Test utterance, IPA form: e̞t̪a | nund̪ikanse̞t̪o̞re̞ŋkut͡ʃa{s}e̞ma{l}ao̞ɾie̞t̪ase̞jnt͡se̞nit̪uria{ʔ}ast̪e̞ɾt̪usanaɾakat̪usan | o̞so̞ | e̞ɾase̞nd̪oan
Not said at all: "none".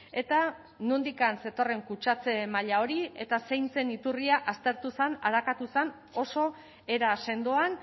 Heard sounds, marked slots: t͡s, ʎ, ʔ

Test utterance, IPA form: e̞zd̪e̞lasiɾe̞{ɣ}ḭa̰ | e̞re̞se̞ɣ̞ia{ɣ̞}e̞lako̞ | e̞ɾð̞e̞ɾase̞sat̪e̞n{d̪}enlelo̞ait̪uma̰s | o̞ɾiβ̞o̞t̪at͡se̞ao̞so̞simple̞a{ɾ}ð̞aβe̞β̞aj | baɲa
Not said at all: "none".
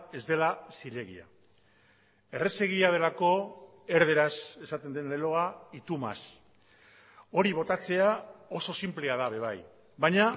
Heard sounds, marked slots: ɣ, ð̞, d̪, none

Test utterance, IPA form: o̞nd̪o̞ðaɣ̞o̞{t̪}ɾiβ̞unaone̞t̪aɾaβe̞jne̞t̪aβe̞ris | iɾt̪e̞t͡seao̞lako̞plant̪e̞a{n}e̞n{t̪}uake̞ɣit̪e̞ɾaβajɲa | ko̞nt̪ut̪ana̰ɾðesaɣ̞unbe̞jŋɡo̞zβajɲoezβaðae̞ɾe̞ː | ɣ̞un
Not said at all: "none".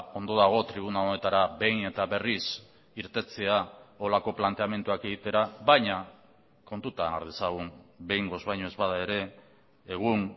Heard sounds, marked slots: t̪, m, t̪

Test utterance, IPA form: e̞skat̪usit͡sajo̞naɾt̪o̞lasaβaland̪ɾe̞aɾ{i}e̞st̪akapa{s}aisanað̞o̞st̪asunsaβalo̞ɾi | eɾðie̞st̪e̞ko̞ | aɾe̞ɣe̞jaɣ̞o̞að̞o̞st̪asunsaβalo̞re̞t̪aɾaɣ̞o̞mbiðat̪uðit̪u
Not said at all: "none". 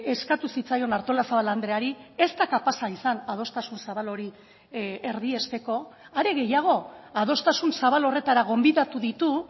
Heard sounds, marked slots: i, s

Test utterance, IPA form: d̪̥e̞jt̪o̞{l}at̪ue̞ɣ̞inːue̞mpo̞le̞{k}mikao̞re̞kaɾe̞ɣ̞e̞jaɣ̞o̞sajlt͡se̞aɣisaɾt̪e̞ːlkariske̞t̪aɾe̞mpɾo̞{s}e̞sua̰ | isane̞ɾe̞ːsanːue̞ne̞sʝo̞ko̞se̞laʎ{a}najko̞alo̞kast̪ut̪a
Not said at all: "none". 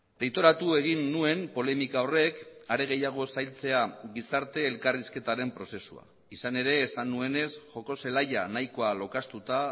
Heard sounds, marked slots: ɾ, none, s, a

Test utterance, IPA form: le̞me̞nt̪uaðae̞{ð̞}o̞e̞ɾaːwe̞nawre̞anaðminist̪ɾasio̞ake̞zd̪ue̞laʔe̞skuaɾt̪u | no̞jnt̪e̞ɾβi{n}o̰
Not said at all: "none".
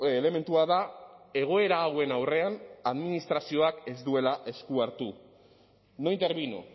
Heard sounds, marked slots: ɣ̞, n

